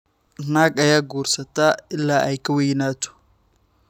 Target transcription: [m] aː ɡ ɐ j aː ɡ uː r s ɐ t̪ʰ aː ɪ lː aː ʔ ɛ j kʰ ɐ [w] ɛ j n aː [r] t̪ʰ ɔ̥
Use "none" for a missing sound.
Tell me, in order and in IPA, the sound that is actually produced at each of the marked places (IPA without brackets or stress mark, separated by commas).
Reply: n, w, none